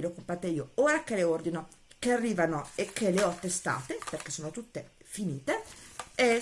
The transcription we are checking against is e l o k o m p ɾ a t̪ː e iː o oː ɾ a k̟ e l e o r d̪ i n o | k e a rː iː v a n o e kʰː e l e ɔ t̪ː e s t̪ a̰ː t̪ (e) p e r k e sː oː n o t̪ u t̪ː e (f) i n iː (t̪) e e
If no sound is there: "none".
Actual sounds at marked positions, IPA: e, f, t̪

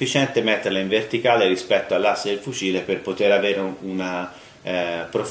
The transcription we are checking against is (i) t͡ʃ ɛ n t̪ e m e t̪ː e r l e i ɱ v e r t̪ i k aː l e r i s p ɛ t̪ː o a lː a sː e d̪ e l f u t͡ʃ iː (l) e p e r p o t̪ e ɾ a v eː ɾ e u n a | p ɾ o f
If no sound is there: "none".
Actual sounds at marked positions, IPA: i, l

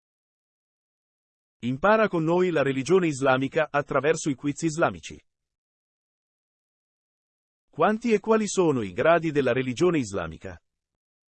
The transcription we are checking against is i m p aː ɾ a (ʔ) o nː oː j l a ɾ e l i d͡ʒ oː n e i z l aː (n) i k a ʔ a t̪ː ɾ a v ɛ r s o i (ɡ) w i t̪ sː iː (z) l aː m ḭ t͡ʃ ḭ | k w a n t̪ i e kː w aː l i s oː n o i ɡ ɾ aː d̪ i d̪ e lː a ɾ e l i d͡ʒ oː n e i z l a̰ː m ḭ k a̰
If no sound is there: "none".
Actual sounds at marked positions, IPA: k, m, k, z

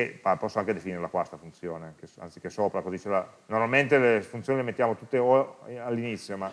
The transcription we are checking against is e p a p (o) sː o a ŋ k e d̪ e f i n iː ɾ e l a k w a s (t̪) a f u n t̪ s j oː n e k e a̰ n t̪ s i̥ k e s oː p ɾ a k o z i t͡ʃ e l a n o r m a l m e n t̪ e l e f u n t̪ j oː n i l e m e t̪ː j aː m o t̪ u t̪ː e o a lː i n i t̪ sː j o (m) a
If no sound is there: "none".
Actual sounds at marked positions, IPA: ɔ, t̪, m

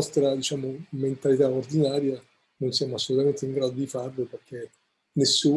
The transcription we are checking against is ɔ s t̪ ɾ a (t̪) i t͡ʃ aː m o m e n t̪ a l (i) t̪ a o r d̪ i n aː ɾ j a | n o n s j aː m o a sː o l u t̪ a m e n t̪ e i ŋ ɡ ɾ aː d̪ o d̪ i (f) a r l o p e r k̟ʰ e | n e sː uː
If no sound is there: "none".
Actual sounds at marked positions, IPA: d̪, i, f

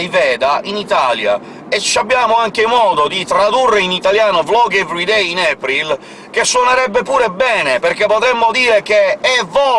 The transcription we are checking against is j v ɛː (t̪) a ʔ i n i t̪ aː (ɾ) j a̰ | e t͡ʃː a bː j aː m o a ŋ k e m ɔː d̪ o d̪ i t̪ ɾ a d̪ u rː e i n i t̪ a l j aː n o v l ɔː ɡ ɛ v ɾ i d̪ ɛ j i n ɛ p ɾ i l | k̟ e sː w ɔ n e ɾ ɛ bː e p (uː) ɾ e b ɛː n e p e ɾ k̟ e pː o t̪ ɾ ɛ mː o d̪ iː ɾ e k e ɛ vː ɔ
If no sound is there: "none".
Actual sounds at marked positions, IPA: d̪, l, uː

